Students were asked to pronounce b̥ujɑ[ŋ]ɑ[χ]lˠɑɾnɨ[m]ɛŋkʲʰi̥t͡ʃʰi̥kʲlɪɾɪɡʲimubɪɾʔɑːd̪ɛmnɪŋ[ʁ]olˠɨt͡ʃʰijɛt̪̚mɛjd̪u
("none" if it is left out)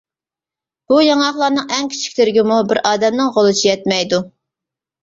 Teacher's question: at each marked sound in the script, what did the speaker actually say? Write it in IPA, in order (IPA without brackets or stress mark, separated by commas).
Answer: ŋ, χ, ŋ, ʁ